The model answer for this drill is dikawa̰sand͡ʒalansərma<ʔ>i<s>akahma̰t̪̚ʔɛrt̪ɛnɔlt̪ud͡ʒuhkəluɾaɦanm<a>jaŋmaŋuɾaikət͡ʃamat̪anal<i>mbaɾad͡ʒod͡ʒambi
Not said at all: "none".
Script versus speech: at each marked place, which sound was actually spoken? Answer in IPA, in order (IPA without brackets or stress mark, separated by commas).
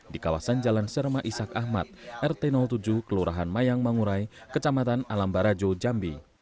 ʔ, s, a, a